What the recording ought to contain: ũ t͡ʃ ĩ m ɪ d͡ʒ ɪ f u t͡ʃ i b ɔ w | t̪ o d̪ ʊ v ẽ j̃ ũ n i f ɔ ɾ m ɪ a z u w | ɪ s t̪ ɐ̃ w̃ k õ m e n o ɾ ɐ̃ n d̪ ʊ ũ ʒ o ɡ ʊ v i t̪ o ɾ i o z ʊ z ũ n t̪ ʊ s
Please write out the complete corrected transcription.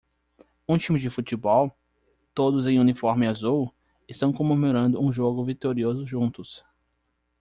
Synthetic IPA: ũ t͡ʃ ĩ m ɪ d͡ʒ ɪ f u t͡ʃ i b ɔ w | t̪ o d̪ ʊ z ẽ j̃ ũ n i f ɔ ɾ m ɪ a z u w | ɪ s t̪ ɐ̃ w̃ k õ m e m o ɾ ɐ̃ n d̪ ʊ ũ ʒ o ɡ ʊ v i t̪ o ɾ i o z ʊ ʒ ũ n t̪ ʊ s